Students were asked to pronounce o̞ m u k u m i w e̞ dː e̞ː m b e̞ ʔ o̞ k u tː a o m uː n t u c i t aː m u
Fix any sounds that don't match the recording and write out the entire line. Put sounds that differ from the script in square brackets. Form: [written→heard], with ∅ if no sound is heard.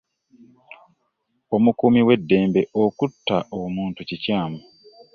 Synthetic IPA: o̞ m u k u m i w e̞ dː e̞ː m b e̞ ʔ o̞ k u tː a o m uː n t u c i [t→c] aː m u